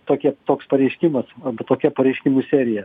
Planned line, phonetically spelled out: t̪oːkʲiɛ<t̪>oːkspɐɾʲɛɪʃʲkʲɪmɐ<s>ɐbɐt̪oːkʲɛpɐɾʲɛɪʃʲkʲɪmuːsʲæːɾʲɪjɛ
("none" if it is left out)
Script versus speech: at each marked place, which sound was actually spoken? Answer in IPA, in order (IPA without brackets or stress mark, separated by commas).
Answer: t̪, s